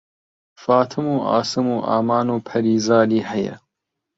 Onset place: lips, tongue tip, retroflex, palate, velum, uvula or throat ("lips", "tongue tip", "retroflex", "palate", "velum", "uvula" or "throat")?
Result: lips